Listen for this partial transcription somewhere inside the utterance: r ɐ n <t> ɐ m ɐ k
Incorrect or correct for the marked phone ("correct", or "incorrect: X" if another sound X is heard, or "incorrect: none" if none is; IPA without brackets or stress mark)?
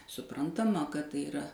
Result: correct